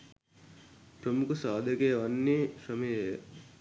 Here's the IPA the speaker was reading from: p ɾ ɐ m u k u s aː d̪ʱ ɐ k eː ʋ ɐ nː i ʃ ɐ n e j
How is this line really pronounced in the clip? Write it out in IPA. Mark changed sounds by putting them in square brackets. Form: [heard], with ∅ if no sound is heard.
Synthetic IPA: p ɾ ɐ m u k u s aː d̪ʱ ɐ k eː ʋ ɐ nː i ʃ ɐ [m] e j